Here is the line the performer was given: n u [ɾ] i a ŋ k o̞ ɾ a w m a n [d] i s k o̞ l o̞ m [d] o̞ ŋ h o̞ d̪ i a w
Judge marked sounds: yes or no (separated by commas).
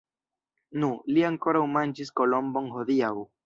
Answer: no, no, no